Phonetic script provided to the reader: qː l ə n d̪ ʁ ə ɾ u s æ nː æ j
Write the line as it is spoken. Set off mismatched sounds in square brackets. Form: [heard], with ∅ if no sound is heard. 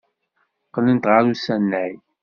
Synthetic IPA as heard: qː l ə n [t̪] ʁ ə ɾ u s æ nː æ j